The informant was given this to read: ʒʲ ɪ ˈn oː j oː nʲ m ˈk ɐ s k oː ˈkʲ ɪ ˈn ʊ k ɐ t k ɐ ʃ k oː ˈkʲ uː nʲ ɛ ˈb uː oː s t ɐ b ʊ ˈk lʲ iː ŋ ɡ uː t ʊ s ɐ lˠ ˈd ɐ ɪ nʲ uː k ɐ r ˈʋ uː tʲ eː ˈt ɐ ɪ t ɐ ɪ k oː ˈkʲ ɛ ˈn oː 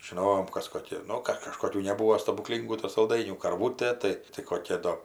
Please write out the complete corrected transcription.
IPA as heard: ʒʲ ɪ ˈn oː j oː m ˈk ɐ s k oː ˈkʲ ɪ ˈn ʊ k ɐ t k ɐ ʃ k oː ˈkʲ uː nʲ ɛ ˈb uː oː s t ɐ b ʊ ˈk lʲ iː ŋ ɡ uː t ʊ s ɐ lˠ ˈd ɐ ɪ nʲ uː k ɐ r ˈʋ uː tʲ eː ˈt ɐ ɪ t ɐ ɪ k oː ˈkʲ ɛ ˈd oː